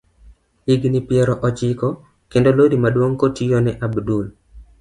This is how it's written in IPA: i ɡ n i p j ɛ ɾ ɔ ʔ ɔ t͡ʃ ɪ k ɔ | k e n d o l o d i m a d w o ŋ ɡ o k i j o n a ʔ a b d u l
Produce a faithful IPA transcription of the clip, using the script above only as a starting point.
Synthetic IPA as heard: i ɡ n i p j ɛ ɾ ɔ ʔ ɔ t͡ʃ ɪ k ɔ | k e n d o l o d i m a d w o ŋ k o t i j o n ɛ ʔ a b d u l